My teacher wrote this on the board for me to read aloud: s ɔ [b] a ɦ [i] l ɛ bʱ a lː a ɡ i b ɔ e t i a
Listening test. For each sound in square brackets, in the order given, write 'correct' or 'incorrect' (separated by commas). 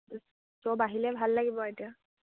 correct, correct